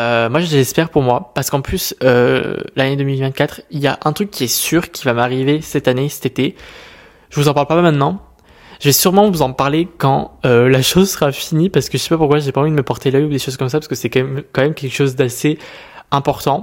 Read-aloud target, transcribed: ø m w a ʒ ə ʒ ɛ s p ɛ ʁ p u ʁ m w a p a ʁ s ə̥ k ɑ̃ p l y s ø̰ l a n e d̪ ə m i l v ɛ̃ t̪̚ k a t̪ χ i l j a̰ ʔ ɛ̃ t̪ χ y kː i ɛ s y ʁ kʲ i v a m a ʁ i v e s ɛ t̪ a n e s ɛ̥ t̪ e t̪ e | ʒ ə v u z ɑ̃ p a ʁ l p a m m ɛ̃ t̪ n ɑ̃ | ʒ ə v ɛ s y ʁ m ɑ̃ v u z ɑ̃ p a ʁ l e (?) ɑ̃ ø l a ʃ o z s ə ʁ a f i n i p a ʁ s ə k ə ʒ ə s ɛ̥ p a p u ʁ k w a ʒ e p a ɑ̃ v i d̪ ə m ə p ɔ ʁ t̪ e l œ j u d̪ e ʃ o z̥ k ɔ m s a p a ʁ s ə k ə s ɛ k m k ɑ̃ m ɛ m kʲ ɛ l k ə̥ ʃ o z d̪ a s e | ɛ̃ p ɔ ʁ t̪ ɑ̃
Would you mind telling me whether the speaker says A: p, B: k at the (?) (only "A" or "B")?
B